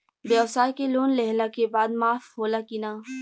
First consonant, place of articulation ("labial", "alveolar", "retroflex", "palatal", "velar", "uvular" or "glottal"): labial